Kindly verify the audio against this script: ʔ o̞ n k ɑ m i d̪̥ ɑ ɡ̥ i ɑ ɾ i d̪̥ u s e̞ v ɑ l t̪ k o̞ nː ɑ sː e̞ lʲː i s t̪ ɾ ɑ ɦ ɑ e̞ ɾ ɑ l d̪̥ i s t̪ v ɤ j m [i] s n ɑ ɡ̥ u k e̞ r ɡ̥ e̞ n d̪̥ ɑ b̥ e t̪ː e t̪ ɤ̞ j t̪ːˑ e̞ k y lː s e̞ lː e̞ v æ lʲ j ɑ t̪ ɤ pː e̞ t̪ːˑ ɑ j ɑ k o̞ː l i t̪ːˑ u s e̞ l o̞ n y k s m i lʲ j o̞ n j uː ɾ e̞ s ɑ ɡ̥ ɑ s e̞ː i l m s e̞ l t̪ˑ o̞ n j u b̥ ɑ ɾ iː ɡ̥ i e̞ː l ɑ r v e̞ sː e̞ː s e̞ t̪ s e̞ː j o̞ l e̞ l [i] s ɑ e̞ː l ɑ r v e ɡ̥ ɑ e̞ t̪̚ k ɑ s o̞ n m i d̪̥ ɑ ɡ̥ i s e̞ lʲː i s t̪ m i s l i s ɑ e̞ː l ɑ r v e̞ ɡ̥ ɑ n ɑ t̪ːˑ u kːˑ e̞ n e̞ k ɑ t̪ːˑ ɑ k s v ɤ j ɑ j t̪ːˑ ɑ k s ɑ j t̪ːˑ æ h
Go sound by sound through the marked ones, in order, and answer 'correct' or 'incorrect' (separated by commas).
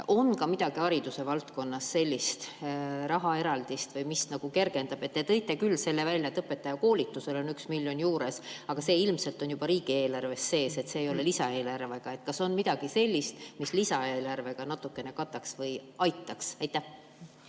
correct, correct